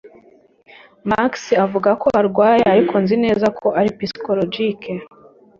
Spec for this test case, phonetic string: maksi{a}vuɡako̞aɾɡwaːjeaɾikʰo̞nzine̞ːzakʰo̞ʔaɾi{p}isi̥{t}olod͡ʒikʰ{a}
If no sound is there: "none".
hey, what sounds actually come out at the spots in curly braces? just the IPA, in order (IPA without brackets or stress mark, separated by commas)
a, p, k, e